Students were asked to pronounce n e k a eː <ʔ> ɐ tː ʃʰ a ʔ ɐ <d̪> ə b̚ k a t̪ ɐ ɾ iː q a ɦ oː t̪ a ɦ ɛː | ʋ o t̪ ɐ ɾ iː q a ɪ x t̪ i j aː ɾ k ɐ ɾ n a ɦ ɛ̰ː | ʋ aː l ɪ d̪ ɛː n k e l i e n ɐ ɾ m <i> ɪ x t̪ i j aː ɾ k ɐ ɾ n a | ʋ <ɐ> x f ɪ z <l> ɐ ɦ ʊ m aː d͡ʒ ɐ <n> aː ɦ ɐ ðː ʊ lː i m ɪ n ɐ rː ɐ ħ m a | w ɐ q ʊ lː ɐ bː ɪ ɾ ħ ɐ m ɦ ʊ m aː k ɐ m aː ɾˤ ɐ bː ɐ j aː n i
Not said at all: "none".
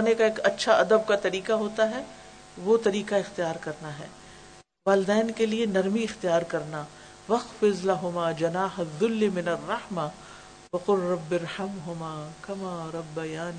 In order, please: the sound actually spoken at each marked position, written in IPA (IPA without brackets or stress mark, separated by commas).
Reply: k, d̪, i, ɐ, l, n